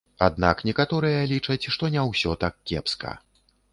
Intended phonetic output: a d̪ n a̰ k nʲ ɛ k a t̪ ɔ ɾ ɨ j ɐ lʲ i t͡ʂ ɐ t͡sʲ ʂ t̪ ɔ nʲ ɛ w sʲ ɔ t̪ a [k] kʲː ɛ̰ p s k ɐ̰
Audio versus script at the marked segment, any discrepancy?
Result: no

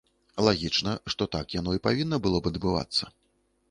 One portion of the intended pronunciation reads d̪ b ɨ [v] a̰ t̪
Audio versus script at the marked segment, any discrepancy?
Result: no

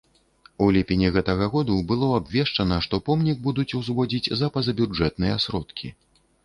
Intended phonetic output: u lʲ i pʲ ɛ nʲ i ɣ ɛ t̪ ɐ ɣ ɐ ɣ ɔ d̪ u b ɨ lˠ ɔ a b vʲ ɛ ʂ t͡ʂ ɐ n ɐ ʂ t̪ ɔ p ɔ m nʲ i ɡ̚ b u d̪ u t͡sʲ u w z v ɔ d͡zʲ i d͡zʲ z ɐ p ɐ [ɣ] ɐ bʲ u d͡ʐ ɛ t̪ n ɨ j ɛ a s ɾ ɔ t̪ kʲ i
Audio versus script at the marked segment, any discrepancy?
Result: yes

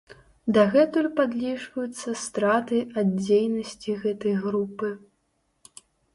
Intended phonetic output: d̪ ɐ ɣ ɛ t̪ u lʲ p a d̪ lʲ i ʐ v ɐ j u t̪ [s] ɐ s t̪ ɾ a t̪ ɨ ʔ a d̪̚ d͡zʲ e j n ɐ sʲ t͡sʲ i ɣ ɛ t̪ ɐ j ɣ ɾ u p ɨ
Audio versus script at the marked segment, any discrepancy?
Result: yes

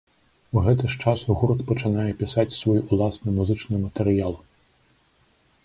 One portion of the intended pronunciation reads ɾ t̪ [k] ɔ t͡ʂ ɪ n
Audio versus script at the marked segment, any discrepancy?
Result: yes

